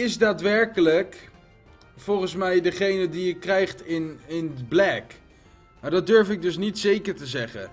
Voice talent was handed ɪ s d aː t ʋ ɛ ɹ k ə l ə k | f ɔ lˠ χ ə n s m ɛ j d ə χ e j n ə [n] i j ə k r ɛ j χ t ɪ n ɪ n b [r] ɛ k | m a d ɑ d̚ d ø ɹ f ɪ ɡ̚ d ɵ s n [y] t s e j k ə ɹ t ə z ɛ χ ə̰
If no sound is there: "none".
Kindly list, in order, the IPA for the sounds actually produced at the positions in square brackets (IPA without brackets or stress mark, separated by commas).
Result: d, l, i